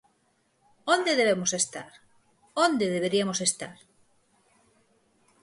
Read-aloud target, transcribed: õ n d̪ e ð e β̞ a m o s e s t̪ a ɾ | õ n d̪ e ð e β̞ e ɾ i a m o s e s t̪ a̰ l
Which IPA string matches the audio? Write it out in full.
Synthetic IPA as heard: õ n d̪ e ð e β̞ e m o s e s t̪ a ɾ | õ n d̪ e ð e β̞ e ɾ i a m o s e s t̪ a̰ ɾ